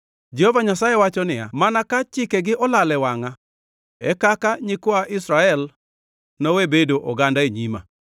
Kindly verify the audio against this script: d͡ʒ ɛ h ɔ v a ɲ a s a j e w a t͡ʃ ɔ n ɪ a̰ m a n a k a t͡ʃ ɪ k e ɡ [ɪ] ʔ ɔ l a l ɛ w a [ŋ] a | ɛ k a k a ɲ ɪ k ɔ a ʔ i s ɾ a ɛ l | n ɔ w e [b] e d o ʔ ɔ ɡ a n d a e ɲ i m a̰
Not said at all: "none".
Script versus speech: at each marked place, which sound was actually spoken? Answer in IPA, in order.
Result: ɪ, ŋ, b

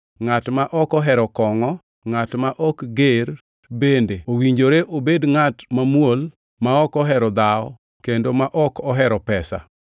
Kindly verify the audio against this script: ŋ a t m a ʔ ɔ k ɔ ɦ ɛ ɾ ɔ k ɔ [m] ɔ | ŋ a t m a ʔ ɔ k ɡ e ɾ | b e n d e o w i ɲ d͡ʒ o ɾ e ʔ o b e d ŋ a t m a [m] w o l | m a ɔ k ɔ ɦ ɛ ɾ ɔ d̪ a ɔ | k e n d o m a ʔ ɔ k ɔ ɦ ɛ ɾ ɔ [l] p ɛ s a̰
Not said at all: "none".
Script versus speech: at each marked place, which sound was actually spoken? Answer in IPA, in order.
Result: ŋ, m, none

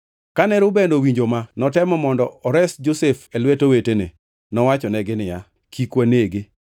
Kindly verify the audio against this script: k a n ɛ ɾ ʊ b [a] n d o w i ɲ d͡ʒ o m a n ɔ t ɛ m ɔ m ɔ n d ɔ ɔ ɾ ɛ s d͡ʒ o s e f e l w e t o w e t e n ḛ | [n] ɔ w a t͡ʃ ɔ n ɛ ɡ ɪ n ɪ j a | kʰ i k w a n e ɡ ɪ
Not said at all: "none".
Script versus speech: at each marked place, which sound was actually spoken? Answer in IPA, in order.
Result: e, n

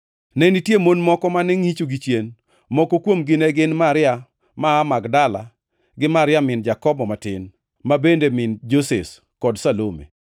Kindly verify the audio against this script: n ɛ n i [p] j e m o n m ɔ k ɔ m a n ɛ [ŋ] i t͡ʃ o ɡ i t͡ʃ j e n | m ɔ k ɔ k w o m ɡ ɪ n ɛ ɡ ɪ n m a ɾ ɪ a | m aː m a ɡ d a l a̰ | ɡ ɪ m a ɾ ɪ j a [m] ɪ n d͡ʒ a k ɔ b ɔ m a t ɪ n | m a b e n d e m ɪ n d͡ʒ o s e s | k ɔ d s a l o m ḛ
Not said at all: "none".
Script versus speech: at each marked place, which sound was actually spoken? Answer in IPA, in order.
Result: t, ŋ, m

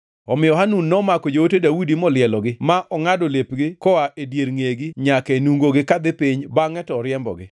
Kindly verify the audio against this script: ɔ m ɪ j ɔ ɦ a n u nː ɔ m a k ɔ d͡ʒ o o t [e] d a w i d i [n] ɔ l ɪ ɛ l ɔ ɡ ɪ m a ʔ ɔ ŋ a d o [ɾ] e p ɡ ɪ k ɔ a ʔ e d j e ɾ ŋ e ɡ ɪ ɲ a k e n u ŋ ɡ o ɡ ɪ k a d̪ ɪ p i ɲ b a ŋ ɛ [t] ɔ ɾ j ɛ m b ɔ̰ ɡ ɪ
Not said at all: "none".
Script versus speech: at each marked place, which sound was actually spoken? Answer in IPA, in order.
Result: e, m, l, t

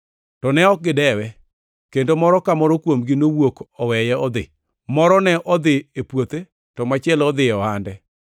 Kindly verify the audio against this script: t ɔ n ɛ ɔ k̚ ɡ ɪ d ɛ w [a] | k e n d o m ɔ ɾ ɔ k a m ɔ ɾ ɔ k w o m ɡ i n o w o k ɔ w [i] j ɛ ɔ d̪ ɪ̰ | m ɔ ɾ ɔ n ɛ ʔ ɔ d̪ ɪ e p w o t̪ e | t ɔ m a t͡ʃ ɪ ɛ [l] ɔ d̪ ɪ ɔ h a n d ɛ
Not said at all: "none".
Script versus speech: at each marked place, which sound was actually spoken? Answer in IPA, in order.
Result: ɛ, ɛ, l

